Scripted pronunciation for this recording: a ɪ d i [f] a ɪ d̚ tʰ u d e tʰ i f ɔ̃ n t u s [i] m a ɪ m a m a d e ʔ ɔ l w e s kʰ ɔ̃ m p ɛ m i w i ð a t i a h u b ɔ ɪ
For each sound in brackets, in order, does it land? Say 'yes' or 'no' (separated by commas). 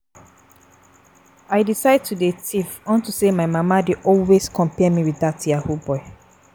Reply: no, no